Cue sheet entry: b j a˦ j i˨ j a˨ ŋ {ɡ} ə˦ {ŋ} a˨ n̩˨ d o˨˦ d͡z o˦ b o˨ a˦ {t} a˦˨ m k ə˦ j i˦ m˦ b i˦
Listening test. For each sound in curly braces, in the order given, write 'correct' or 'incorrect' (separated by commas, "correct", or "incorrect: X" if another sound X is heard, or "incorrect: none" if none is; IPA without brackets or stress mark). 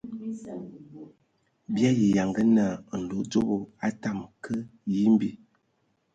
correct, incorrect: n, correct